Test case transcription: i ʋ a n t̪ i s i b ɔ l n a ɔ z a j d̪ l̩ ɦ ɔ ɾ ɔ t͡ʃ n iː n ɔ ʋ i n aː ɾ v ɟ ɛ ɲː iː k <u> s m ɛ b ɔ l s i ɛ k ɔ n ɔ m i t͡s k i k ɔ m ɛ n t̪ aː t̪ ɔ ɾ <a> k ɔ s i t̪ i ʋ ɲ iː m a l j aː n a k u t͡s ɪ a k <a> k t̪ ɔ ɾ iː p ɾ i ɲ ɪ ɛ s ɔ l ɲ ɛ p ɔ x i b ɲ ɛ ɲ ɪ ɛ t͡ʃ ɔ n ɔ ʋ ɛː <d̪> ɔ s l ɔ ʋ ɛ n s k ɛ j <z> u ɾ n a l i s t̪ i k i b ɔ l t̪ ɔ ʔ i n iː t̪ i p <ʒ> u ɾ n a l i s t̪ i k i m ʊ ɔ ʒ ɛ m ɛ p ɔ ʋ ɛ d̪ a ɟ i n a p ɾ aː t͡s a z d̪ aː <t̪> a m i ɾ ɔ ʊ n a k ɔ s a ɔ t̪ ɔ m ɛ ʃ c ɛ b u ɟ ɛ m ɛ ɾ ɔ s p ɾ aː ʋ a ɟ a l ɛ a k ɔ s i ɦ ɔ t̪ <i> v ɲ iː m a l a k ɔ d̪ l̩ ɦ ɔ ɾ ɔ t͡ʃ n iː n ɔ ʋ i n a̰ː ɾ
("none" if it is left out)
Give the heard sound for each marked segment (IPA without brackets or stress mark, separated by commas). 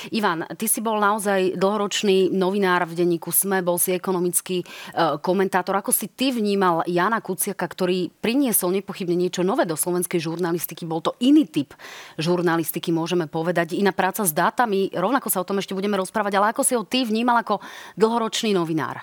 u, a, a, d̪, ʒ, ʒ, t̪, i